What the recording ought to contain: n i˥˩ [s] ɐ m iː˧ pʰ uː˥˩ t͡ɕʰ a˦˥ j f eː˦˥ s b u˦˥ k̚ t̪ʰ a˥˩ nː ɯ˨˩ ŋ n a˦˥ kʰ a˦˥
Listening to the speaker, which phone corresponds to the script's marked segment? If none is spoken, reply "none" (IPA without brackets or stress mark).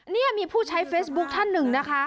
none